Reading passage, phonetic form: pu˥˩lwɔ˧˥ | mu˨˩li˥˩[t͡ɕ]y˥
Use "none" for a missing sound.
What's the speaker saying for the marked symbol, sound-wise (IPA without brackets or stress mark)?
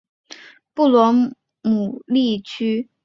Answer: t͡ɕʰ